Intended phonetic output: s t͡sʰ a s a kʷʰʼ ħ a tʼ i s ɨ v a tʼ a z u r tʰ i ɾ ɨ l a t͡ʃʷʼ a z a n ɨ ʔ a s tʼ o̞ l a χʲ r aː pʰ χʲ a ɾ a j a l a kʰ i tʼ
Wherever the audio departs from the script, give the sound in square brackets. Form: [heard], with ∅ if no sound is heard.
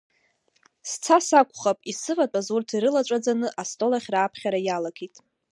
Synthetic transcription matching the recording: s t͡sʰ a s a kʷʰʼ [χ] a [pʼ] i s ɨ v a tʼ a z u r tʰ i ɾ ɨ l a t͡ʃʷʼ a [d͡z] a n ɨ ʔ a s tʼ o̞ l a χʲ r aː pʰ χʲ a ɾ a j a l a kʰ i tʼ